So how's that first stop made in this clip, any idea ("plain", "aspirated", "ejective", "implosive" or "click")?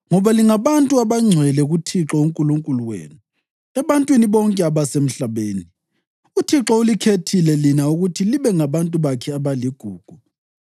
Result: ejective